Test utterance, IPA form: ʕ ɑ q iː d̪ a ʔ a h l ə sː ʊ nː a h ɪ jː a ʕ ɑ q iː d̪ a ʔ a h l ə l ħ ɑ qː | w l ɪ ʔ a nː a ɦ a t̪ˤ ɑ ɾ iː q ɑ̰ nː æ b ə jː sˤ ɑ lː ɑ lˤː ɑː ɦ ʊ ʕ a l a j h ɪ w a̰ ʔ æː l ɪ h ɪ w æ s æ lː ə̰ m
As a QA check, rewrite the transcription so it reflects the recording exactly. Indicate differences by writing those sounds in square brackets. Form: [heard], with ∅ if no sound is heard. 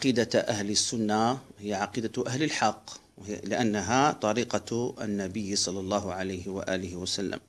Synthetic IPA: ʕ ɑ q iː d̪ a ʔ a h l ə sː ʊ nː a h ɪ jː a ʕ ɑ q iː d̪ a ʔ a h l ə l ħ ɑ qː | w l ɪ ʔ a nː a ɦ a t̪ˤ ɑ ɾ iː q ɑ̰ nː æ b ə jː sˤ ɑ lː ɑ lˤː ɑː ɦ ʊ ʕ a l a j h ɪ w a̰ ʔ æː l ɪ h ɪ w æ s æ lː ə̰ m